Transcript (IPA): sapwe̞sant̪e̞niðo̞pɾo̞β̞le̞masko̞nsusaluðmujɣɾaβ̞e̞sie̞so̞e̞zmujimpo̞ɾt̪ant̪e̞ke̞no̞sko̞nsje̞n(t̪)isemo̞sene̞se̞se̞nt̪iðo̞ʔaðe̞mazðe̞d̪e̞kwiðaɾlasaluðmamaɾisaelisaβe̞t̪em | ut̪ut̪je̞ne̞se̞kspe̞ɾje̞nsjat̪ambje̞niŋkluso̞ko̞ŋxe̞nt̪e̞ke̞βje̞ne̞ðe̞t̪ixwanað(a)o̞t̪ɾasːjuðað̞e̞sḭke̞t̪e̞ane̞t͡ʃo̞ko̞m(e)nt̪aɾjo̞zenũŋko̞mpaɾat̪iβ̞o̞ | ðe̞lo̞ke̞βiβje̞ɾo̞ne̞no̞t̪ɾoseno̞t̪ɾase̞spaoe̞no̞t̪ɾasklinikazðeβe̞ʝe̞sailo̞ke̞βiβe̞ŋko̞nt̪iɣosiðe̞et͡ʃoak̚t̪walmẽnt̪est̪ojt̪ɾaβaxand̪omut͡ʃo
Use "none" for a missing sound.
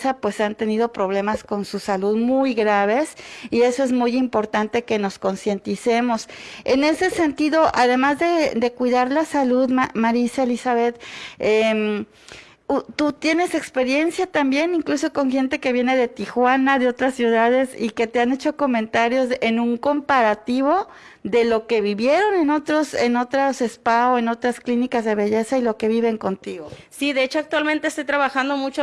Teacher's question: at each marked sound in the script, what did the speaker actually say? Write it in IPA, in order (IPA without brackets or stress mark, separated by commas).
t̪, e, ẽ